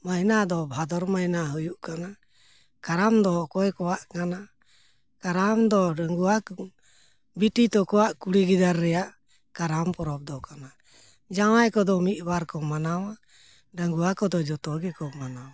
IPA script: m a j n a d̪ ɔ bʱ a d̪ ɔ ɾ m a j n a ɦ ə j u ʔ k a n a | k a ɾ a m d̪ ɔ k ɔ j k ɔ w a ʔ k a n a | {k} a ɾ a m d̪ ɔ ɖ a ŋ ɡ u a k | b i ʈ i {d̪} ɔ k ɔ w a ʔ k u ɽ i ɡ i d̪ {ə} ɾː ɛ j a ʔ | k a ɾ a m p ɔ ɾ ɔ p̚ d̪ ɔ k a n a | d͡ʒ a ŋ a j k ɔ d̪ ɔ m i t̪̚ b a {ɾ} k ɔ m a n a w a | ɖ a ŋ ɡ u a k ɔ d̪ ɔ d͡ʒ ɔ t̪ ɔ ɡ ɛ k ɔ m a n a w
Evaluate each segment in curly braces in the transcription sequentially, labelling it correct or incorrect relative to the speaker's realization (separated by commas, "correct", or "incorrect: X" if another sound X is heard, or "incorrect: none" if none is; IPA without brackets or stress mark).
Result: correct, incorrect: t̪, incorrect: a, correct